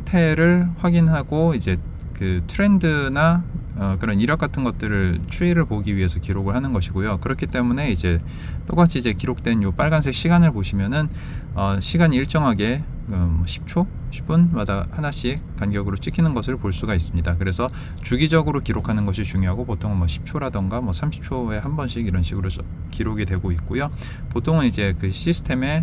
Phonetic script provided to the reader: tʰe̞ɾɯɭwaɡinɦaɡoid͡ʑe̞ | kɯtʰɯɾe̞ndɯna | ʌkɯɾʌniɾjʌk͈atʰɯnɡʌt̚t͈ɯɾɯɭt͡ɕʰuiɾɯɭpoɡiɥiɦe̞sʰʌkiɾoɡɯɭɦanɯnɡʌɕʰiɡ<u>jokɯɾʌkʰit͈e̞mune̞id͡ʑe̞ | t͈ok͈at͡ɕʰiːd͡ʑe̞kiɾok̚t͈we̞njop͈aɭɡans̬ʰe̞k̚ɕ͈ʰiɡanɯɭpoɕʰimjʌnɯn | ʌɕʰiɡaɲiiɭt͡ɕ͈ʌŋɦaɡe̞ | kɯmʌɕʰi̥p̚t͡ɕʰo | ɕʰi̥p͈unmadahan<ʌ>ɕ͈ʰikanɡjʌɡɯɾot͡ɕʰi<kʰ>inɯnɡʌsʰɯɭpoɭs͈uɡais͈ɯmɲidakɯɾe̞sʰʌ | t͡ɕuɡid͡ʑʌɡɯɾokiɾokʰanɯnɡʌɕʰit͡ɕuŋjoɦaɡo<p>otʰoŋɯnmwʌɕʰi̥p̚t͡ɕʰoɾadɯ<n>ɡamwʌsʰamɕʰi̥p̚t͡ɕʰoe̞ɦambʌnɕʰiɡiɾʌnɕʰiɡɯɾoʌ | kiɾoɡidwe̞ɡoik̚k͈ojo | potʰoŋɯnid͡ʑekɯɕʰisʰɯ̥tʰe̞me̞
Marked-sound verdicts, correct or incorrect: incorrect, incorrect, correct, correct, incorrect

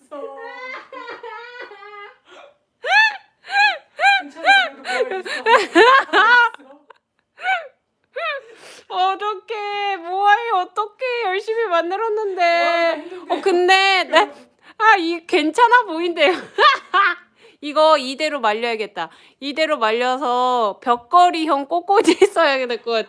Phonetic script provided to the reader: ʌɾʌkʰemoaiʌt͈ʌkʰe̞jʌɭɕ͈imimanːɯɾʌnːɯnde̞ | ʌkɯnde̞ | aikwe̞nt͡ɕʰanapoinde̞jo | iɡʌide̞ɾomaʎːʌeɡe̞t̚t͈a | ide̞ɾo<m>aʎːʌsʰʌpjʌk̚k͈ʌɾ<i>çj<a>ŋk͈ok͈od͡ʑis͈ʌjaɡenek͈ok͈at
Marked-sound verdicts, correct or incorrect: correct, correct, incorrect

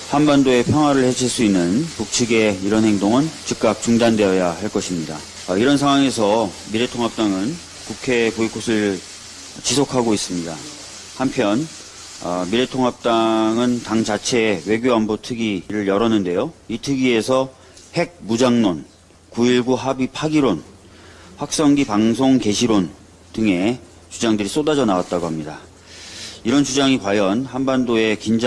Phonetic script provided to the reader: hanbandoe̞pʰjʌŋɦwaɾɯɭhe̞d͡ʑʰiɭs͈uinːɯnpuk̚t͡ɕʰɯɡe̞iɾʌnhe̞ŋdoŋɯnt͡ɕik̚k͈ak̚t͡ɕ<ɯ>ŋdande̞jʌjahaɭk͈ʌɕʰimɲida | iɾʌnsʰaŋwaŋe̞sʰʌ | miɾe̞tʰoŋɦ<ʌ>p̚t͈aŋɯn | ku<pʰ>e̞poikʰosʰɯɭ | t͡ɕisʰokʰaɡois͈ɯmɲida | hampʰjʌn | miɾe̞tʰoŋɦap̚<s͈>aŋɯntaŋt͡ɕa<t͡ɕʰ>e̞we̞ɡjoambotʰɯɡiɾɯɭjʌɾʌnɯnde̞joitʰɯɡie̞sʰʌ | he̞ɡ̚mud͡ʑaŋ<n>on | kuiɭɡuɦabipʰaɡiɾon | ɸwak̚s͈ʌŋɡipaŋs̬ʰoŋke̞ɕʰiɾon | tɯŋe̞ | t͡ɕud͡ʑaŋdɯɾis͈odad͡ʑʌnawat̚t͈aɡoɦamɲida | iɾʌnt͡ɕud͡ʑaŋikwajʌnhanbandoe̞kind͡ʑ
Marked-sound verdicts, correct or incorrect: incorrect, incorrect, incorrect, incorrect, correct, correct

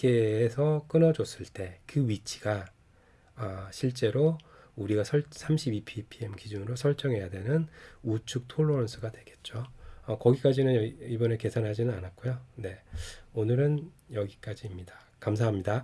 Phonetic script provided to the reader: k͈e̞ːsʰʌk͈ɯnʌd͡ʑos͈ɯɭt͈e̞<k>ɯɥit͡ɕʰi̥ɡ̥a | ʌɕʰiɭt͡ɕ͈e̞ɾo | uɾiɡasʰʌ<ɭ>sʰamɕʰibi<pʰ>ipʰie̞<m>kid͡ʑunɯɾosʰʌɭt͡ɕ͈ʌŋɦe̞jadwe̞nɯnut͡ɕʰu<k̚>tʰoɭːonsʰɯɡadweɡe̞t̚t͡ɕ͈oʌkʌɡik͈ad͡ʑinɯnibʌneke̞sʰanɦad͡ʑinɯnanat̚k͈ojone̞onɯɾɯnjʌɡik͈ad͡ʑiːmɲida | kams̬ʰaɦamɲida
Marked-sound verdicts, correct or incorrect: correct, correct, correct, correct, correct

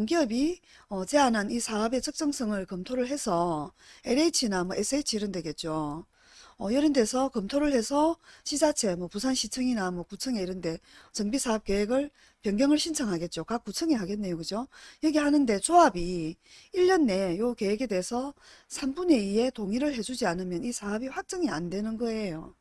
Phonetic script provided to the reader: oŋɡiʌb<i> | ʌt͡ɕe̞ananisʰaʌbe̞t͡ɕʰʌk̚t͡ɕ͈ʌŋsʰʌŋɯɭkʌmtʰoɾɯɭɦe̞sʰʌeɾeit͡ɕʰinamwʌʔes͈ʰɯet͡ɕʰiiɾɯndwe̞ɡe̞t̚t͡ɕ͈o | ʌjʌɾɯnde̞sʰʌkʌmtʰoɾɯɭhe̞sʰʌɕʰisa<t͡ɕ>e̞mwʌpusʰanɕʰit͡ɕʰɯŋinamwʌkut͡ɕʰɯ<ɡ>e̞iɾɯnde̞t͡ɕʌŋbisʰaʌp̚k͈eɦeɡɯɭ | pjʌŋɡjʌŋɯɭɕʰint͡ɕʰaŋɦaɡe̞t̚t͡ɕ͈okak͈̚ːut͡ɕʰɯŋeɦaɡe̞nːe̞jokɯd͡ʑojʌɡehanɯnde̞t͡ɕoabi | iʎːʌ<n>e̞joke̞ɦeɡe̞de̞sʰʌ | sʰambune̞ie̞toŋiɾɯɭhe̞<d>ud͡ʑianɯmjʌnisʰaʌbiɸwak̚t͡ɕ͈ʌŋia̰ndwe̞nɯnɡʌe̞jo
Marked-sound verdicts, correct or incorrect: correct, incorrect, incorrect, incorrect, incorrect

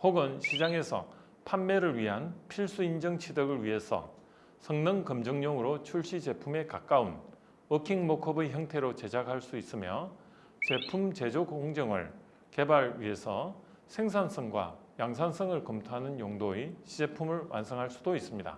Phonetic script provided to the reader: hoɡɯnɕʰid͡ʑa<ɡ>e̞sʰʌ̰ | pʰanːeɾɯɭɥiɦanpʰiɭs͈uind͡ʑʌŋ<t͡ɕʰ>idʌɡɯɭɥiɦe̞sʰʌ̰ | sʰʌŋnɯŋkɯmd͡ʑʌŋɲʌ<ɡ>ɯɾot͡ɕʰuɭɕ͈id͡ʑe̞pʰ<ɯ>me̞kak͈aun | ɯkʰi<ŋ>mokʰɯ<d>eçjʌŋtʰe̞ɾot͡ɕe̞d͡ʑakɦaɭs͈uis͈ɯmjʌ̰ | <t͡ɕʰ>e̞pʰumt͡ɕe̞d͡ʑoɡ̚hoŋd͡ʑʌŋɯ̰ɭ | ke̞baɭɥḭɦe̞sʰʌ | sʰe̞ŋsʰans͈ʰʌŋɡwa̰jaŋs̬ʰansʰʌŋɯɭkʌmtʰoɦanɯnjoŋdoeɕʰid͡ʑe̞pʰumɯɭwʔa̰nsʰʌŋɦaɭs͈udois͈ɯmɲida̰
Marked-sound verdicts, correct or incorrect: incorrect, correct, incorrect, incorrect, correct, incorrect, incorrect

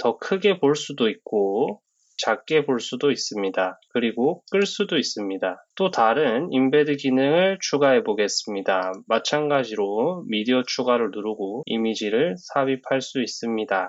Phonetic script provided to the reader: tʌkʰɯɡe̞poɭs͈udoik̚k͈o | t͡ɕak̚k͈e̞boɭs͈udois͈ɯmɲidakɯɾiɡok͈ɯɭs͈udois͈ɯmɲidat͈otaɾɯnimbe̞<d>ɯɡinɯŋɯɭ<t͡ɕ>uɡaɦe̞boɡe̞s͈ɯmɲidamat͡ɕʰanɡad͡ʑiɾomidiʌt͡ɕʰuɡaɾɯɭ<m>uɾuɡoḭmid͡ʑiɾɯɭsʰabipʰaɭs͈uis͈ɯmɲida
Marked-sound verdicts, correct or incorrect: correct, incorrect, incorrect

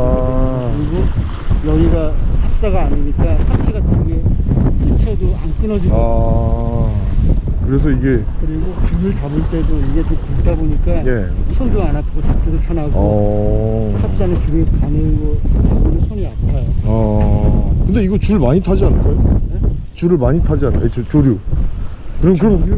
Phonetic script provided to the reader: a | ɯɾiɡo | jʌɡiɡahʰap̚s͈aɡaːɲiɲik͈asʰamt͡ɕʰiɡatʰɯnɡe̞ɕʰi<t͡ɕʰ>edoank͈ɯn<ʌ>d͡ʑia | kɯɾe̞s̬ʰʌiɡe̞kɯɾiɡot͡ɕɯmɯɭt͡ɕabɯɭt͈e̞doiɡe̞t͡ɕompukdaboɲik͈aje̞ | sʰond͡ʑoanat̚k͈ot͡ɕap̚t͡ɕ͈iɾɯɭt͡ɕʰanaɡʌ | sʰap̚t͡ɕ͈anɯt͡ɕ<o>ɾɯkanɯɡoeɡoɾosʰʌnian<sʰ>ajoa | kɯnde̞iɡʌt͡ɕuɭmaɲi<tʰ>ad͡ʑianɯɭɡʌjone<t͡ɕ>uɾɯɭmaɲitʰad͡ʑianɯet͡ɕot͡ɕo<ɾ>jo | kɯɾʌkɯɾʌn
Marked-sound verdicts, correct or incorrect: correct, correct, incorrect, incorrect, correct, correct, correct

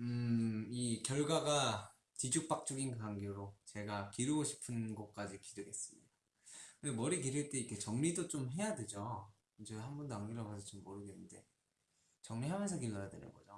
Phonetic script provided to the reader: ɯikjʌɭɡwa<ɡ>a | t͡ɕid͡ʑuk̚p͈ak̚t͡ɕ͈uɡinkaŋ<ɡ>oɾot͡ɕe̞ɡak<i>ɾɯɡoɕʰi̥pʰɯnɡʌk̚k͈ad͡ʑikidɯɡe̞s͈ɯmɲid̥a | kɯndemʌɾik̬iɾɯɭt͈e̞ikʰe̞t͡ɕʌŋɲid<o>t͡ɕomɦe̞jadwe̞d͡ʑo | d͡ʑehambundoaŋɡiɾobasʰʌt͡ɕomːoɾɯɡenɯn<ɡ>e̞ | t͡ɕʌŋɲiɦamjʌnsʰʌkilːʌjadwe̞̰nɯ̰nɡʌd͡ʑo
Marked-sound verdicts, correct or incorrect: correct, correct, correct, correct, incorrect

